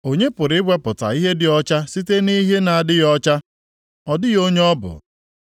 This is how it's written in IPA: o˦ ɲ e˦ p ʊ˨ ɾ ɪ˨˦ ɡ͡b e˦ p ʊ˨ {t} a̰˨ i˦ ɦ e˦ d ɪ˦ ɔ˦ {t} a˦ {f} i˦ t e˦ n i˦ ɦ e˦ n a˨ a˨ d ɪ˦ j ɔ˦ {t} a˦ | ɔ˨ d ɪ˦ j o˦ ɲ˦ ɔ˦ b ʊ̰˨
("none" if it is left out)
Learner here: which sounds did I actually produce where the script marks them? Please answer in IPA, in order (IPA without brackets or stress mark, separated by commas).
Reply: t, t͡ʃ, s, t͡ʃ